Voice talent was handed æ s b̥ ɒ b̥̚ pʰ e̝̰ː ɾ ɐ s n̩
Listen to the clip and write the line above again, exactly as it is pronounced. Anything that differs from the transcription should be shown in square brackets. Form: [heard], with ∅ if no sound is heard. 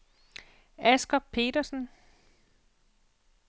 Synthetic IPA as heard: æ s [ɡ̥] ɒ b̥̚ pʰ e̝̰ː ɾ ɐ s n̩

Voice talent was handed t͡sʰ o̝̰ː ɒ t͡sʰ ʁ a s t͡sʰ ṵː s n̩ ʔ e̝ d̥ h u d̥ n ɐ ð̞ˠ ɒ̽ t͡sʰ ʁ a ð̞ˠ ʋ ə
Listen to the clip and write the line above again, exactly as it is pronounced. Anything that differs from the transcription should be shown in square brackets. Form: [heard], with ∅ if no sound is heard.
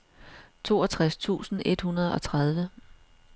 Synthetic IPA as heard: t͡sʰ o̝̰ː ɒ t͡sʰ ʁ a s t͡sʰ ṵː s n̩ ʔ e̝ d̥ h u [∅] n ɐ ð̞ˠ ɒ̽ t͡sʰ ʁ a ð̞ˠ ʋ ə

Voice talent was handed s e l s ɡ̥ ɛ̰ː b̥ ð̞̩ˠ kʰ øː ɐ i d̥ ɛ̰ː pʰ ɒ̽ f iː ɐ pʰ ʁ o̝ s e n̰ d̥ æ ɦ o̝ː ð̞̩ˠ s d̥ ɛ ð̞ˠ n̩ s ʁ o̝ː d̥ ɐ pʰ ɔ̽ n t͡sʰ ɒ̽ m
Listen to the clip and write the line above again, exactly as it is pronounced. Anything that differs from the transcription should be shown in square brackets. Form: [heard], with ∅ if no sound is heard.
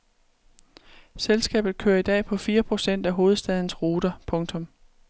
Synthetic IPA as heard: s e l s ɡ̥ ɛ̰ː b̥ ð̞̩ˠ kʰ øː ɐ i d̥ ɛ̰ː pʰ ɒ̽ f iː ɐ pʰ ʁ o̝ s e n̰ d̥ æ ɦ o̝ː ð̞̩ˠ s d̥ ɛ ð̞ˠ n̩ s ʁ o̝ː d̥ ɐ pʰ ɔ̽ [ŋ] t͡sʰ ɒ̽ m

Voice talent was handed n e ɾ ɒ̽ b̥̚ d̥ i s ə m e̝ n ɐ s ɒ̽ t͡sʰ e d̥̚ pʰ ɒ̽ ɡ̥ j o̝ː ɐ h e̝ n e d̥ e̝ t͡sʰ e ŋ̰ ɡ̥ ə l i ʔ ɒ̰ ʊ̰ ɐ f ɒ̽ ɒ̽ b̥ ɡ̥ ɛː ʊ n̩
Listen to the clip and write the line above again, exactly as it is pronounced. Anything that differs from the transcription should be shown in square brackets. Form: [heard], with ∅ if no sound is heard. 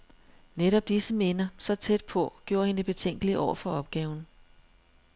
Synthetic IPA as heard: n e ɾ ɒ̽ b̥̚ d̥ i s ə m e̝ n ɐ s ɒ̽ t͡sʰ e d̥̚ pʰ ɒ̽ ɡ̥ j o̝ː ɐ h e̝ n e [b̥] e̝ t͡sʰ e ŋ̰ ɡ̥ ə l i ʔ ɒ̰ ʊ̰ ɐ f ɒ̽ ɒ̽ b̥ ɡ̥ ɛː ʊ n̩

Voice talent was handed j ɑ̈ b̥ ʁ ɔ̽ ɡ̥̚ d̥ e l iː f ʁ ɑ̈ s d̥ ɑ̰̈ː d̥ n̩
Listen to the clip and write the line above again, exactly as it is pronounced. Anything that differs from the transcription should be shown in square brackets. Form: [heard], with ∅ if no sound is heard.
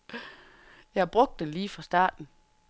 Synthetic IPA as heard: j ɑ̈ b̥ ʁ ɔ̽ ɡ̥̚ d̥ e l iː f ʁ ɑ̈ s d̥ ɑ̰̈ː d̥ n̩

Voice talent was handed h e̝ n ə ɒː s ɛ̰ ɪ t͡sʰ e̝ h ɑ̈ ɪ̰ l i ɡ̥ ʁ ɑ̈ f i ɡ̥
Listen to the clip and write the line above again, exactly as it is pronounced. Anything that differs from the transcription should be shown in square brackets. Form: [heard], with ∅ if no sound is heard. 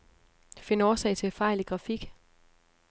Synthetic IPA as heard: [f] e̝ n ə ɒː s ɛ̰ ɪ t͡sʰ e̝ [f] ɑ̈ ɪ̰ l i ɡ̥ ʁ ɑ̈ f i ɡ̥

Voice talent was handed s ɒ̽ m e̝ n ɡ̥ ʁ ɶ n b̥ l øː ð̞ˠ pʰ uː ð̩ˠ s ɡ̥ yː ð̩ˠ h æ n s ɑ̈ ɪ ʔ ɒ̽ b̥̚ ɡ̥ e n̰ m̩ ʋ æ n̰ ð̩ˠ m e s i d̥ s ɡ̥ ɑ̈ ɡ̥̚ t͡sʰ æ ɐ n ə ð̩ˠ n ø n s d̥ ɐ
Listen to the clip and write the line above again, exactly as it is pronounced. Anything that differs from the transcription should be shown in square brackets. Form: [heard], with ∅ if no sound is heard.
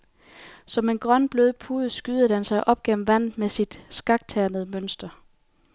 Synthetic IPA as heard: s ɒ̽ m e̝ n ɡ̥ ʁ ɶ n b̥ l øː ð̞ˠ pʰ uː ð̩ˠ s ɡ̥ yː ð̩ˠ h æ n s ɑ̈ ɪ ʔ ɒ̽ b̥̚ ɡ̥ e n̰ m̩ ʋ æ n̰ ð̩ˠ m e s i d̥ s ɡ̥ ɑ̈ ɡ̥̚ t͡sʰ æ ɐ n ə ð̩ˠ [m] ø n s d̥ ɐ

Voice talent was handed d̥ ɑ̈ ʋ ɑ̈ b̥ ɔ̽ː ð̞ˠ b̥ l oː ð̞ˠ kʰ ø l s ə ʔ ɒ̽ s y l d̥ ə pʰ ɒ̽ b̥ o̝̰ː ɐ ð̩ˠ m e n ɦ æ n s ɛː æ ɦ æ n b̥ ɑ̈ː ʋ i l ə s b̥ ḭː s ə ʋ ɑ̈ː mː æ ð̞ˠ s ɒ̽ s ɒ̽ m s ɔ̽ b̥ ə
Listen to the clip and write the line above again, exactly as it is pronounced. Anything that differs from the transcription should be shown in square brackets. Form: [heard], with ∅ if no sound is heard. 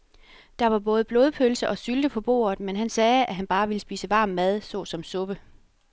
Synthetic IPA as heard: d̥ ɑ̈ ʋ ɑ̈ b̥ ɔ̽ː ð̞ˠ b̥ l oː ð̞ˠ [pʰ] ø l s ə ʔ ɒ̽ s y l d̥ ə pʰ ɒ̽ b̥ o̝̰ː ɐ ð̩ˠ m e n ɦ æ n s ɛː æ ɦ æ n b̥ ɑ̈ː ʋ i l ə s b̥ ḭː s ə ʋ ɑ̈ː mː æ ð̞ˠ s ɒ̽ s ɒ̽ m s ɔ̽ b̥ ə

